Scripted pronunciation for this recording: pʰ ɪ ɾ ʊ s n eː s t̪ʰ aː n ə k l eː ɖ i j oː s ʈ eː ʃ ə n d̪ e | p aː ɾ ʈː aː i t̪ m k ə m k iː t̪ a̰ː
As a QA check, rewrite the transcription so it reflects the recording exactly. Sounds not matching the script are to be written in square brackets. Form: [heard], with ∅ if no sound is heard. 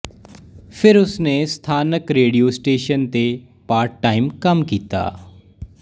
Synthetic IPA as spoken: pʰ ɪ ɾ ʊ s n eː s t̪ʰ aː n ə k [ɾ] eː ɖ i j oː s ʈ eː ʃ ə n [t̪] e | p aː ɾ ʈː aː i [∅] m k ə m k iː t̪ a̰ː